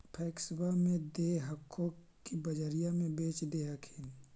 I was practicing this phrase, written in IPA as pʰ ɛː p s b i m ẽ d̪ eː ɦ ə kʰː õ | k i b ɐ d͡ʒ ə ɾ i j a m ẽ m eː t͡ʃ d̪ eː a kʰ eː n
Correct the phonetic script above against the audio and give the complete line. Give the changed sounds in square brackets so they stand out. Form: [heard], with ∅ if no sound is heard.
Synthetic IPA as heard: pʰ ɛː [k] s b [a] m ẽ d̪ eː ɦ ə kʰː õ | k i b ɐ d͡ʒ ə ɾ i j a m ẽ [b] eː t͡ʃ d̪ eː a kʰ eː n